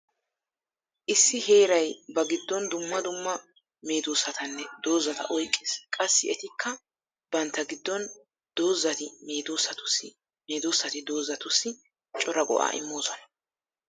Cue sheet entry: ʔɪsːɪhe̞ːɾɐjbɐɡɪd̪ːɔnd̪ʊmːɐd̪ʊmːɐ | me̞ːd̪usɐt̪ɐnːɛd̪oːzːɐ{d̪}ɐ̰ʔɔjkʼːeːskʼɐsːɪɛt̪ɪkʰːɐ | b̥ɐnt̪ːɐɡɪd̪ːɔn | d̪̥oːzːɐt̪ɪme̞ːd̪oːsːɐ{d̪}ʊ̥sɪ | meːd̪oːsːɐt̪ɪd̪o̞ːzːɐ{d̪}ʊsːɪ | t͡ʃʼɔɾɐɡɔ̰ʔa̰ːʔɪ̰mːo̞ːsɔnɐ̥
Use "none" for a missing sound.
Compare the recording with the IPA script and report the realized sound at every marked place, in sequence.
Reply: t̪, t̪, t̪

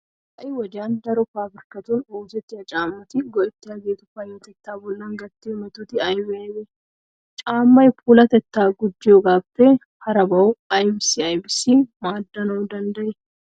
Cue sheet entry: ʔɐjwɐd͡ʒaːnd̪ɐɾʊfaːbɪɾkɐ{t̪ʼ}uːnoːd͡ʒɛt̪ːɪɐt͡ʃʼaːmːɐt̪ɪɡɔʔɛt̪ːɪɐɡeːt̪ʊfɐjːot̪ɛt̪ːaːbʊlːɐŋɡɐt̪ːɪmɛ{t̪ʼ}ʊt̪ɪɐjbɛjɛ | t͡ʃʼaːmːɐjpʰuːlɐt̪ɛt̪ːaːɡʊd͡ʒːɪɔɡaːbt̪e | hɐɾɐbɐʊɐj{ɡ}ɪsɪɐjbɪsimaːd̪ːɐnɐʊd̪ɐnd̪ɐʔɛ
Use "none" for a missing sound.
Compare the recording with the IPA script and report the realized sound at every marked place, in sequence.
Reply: t̪, t̪, b

